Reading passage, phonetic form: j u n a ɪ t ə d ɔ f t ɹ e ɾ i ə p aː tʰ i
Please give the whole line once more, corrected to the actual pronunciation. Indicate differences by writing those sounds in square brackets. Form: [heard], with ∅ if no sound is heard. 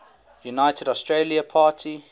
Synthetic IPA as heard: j u n a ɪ t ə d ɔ [s] t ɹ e [l] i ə [pʰ] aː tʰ i